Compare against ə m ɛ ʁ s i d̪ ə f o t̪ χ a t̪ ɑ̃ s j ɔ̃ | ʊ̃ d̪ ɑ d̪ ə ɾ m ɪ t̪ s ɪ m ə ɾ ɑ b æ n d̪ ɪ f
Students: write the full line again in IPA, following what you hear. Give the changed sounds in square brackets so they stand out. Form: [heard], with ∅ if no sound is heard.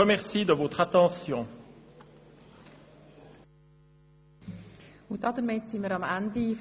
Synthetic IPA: ə m ɛ ʁ s i d̪ ə [v] o t̪ χ a t̪ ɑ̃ s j ɔ̃ | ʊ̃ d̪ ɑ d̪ ə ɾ m ɪ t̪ s [i] m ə ɾ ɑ [m] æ n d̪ [i] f